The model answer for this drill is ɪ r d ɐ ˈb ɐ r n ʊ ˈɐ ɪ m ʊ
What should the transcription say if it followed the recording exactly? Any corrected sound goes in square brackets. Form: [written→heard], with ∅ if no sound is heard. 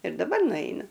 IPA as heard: ɪ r d ɐ ˈb ɐ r n ʊ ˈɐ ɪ [m→n] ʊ